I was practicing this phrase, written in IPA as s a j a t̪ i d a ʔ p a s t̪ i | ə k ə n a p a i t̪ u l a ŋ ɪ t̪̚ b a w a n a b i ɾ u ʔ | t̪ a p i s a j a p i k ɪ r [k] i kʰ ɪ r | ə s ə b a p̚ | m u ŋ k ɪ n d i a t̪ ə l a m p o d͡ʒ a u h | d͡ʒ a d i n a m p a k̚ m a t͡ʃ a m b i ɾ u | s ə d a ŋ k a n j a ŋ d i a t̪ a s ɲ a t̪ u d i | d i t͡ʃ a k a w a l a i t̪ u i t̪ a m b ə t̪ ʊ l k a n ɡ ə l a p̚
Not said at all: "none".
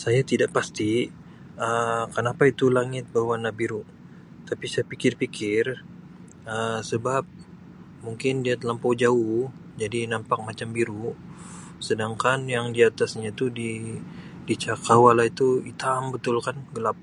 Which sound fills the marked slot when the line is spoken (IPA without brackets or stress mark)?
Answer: p